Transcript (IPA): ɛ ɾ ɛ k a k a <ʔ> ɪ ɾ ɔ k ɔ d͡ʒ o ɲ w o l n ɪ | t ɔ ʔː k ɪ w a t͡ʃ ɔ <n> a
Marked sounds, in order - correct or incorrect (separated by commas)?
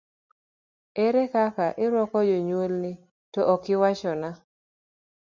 correct, correct